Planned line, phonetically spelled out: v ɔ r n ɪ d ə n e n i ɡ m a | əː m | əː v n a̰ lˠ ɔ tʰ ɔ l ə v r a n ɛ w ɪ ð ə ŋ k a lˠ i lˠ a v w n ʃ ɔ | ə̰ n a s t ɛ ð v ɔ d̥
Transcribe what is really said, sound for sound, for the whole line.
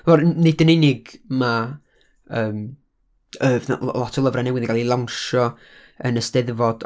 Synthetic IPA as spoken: v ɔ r n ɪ d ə n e n ɪ ɡ m a | əː m | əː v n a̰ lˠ ɔ tʰ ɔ l ə v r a n ɛ w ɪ ð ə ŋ ɡ a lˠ i lˠ a w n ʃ ɔ | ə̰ n ə s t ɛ ð v ɔ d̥